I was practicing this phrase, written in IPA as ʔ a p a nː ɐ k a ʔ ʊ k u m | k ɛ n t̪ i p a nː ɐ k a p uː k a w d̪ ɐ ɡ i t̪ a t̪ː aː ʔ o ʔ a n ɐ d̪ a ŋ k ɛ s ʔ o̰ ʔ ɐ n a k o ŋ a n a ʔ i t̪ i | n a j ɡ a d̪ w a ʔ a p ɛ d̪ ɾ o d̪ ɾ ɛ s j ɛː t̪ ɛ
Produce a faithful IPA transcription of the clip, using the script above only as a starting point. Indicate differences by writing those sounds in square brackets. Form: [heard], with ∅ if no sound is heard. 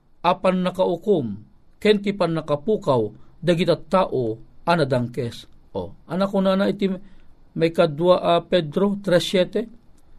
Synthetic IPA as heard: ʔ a p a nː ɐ k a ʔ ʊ k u m | k ɛ n t̪ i p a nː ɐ k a p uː k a w d̪ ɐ ɡ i t̪ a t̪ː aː ʔ o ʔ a n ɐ d̪ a ŋ k ɛ s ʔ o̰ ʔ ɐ n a k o [n] a n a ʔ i t̪ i | [m] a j [k] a d̪ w a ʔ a p ɛ d̪ ɾ o [t̪] ɾ ɛ s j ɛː t̪ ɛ